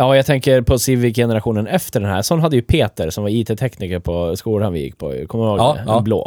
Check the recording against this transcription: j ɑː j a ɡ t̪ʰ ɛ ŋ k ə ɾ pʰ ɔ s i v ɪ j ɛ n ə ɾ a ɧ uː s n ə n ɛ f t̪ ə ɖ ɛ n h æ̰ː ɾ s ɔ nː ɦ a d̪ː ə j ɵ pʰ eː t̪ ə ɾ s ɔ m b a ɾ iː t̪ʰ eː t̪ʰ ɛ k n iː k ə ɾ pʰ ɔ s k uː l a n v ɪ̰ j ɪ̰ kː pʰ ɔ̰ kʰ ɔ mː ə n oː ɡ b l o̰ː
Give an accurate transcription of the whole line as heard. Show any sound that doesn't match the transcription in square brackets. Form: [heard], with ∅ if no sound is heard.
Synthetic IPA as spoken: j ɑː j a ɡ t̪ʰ ɛ ŋ k ə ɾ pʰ ɔ s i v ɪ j ɛ n ə ɾ a ɧ uː [∅] n ə n ɛ f t̪ ə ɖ ɛ n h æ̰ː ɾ s ɔ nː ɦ a d̪ː ə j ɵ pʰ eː t̪ ə ɾ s ɔ m [v] a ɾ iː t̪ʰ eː t̪ʰ ɛ k n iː k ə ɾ pʰ ɔ s k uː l a n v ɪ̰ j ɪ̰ kː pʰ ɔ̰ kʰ ɔ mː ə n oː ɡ b l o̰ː